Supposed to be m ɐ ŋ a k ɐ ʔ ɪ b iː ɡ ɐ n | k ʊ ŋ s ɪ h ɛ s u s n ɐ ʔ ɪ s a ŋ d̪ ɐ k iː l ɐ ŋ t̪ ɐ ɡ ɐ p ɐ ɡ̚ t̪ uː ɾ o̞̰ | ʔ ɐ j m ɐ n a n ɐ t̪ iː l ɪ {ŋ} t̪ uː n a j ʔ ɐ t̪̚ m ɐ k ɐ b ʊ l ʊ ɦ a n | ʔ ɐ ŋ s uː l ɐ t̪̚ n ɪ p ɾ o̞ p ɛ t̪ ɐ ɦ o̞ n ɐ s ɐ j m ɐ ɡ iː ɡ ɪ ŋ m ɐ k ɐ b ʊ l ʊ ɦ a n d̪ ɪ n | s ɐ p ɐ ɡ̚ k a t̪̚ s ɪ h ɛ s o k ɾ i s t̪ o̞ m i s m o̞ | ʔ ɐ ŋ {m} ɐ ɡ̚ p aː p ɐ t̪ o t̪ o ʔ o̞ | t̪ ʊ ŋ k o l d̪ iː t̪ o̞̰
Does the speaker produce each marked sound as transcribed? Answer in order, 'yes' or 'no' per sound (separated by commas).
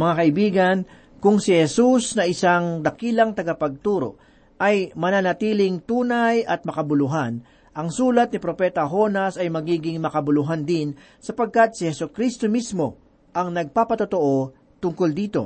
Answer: yes, no